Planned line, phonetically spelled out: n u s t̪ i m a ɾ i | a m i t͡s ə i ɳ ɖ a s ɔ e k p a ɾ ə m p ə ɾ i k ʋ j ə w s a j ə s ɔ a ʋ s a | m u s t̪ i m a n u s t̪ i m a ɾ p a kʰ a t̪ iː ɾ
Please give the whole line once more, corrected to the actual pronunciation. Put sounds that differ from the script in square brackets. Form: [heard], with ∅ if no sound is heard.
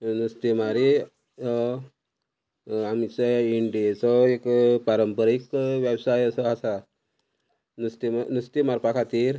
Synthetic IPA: n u s t̪ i m a ɾ i | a m i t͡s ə i ɳ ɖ [i] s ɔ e k p a ɾ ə m p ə ɾ i k ʋ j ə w s a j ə s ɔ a [∅] s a | [n] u s t̪ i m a n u s t̪ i m a ɾ p a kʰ a t̪ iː ɾ